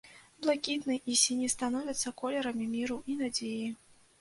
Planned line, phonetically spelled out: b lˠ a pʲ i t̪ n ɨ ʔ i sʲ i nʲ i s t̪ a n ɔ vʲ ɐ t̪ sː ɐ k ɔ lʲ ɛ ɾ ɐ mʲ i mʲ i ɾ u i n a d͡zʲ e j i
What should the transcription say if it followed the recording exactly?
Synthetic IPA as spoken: b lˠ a kʲ i t̪ n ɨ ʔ i sʲ i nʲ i s t̪ a n ɔ vʲ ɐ t̪ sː ɐ k ɔ lʲ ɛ ɾ ɐ mʲ i mʲ i ɾ u i n a d͡zʲ e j i